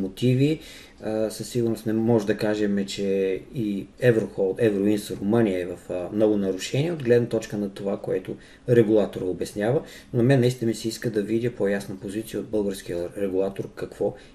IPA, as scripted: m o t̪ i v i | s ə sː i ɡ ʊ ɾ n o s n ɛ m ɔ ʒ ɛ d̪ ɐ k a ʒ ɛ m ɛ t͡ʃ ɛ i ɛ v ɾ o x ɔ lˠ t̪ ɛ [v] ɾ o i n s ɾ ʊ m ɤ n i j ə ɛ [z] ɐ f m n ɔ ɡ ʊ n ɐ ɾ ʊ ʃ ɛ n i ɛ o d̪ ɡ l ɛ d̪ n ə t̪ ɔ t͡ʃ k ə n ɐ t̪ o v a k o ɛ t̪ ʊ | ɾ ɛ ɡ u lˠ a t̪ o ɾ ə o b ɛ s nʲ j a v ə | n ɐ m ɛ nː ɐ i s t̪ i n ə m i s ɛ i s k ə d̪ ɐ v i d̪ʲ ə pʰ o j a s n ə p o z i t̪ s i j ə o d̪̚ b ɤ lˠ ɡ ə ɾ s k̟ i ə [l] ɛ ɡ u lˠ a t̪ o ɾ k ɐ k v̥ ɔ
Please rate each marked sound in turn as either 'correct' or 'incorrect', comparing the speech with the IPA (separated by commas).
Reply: correct, incorrect, incorrect